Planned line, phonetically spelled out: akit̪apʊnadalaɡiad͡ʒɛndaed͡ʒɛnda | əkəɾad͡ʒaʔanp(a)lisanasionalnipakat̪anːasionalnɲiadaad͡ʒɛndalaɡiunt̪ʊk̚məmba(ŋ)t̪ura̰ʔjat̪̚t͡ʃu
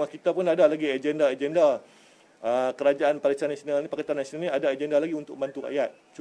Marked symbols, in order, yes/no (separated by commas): yes, no